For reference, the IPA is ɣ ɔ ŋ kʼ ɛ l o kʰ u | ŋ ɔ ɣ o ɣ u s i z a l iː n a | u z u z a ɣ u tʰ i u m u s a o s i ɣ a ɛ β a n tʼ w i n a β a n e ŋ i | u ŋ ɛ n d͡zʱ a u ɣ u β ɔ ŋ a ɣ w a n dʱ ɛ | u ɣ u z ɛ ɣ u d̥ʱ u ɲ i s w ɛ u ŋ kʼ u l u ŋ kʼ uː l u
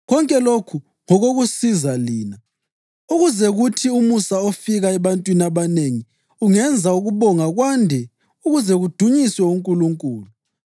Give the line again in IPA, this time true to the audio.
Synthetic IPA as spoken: ɣ ɔ ŋ kʼ ɛ l o kʰ u | ŋ ɔ ɣ o ɣ u s i z a l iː n a | u ɣ u z ɛ ɣ u tʰ i u m u s a o f i ɣ a ɛ β a n tʼ w i n a β a n e ŋ i | u ŋ ɛ n d͡zʱ a u ɣ u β ɔ ŋ a ɣ w a n dʱ ɛ | u ɣ u z ɛ ɣ u d̥ʱ u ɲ i s w ɛ u ŋ kʼ u l u ŋ kʼ uː l u